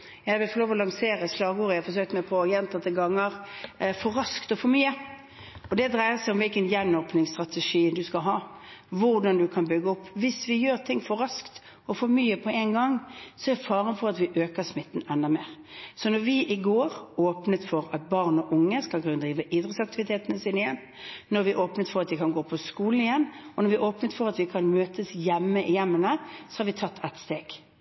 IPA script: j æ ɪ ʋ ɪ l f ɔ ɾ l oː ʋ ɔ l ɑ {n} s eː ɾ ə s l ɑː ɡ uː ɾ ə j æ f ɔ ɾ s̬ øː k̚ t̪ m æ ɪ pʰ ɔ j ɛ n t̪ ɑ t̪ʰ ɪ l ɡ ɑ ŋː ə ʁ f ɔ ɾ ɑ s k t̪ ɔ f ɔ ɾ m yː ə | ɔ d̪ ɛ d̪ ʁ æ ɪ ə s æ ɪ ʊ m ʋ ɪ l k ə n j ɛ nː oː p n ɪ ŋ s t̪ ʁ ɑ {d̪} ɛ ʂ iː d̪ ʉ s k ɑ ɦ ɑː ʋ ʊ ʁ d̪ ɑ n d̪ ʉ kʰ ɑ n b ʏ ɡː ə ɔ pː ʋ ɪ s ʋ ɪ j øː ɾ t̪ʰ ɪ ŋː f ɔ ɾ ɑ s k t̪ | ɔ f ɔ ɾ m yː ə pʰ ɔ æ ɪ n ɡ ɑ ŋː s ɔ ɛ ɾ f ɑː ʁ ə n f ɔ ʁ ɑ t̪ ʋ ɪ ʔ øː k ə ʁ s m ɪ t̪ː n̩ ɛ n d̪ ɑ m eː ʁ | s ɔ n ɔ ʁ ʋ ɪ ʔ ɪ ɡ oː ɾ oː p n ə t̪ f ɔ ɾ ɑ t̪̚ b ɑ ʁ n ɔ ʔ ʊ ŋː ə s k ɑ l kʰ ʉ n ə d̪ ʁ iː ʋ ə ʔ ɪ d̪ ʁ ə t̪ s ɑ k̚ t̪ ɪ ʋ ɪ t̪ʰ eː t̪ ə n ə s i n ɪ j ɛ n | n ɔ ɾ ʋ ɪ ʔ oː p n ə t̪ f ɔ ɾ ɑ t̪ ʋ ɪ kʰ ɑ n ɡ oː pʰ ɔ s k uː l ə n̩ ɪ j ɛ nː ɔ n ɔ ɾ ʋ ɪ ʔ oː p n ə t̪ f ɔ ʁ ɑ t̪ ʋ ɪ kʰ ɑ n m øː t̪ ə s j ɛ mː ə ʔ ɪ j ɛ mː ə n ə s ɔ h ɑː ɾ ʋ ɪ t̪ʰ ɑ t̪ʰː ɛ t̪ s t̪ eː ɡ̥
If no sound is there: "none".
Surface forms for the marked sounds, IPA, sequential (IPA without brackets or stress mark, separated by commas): ŋ, t̪